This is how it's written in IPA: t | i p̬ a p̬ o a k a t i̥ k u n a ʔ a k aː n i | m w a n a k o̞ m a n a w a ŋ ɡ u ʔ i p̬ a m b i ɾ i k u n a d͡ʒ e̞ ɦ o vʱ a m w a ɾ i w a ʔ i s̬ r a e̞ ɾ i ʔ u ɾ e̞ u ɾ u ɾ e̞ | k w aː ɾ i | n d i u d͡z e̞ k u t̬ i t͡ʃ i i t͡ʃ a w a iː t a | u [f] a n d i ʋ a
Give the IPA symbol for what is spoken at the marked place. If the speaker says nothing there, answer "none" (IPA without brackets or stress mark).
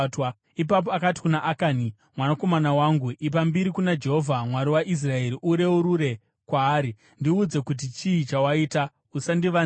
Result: s